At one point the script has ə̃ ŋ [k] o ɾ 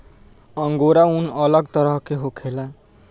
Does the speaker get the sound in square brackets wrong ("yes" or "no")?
yes